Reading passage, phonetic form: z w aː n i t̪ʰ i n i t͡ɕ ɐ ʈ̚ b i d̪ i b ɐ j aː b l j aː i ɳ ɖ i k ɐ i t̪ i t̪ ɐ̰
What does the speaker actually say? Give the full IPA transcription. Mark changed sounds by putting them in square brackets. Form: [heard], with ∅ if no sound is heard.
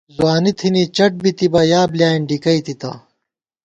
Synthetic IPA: z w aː n i t̪ʰ i n i t͡ɕ ɐ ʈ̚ b i [t̪] i b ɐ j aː b l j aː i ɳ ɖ i k ɐ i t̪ i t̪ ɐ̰